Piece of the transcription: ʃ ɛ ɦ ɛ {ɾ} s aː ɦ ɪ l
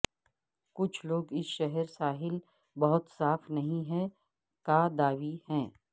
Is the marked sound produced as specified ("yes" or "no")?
yes